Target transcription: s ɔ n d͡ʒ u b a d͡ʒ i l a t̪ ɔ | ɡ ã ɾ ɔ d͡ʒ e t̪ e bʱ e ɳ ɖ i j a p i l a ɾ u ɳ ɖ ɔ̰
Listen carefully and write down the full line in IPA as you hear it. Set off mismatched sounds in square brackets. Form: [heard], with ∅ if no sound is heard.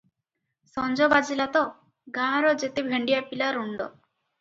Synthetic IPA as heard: s ɔ n d͡ʒ [ɔ] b a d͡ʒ i l a t̪ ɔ | ɡ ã ɾ ɔ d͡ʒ e t̪ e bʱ e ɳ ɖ i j a p i l a ɾ u ɳ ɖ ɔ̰